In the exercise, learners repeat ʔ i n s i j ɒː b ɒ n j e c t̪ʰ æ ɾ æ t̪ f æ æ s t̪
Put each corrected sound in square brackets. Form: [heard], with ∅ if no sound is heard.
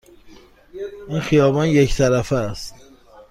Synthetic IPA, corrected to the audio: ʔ i n [x] i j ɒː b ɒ n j e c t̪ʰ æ ɾ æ [∅] f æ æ s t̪

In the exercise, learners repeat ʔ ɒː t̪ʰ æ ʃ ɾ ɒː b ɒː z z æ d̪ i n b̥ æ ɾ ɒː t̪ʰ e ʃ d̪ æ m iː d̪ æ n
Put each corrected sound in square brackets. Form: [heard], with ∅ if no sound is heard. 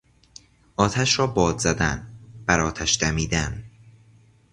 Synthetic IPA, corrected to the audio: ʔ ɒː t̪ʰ æ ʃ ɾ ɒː b ɒː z z æ d̪ [æ] n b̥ æ ɾ ɒː t̪ʰ [æ] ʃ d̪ æ m iː d̪ æ n

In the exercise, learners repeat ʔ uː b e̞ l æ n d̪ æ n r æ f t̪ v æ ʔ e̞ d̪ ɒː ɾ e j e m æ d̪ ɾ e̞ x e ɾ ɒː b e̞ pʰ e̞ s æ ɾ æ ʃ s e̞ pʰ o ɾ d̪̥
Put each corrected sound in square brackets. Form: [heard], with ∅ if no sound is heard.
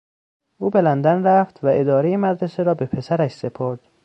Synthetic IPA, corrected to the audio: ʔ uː b e̞ l æ n d̪ æ n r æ f t̪ v æ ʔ e̞ d̪ ɒː ɾ e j e m æ d̪ ɾ e̞ [s] e ɾ ɒː b e̞ pʰ e̞ s æ ɾ æ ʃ s e̞ pʰ o ɾ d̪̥

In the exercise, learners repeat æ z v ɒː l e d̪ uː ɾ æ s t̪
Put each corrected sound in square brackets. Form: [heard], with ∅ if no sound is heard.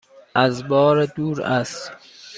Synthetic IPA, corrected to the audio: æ z [b] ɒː [ɾ] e d̪ uː ɾ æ s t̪

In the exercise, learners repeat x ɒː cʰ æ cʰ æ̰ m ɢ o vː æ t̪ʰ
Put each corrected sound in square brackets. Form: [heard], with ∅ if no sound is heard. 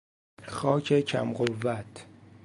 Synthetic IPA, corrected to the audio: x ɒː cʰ [e] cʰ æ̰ m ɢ o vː æ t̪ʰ

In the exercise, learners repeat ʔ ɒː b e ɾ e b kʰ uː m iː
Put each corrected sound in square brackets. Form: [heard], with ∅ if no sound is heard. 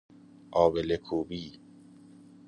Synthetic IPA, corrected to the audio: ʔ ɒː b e [l] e [∅] kʰ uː [b] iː

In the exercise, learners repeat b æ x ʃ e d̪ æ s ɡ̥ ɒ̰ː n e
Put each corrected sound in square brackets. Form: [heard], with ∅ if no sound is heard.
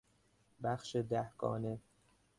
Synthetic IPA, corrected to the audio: b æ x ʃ e d̪ æ [h] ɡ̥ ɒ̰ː n e

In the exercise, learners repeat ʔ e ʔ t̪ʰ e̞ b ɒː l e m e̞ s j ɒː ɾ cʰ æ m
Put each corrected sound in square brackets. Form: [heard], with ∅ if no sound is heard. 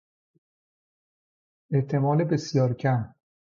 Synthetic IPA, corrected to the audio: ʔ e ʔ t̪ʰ e̞ [m] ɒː l e [b] e̞ s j ɒː ɾ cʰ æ m

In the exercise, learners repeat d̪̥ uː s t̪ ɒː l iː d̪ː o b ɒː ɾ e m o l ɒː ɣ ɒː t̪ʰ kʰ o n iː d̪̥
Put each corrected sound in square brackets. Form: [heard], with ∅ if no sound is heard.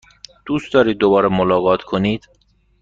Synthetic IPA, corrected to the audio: d̪̥ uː s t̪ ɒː [ɾ] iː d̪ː o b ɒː ɾ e m o l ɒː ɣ ɒː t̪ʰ kʰ o n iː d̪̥

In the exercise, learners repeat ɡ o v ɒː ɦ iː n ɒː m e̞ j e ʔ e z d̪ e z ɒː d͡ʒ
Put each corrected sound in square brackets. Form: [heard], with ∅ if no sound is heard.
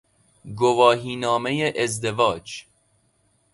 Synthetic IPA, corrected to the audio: ɡ o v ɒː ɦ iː n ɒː m e̞ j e ʔ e z d̪ e [v] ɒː d͡ʒ

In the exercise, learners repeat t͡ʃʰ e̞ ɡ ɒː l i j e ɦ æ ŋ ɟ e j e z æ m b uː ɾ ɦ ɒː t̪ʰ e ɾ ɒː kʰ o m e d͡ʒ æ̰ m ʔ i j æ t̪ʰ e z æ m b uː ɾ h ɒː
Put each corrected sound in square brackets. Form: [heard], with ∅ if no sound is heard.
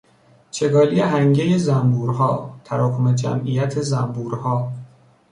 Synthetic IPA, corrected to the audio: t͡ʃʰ e̞ ɡ ɒː l i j e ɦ æ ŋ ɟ e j e z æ m b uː ɾ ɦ ɒː t̪ʰ [æ] ɾ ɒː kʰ o m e d͡ʒ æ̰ m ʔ i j æ t̪ʰ e z æ m b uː ɾ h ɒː

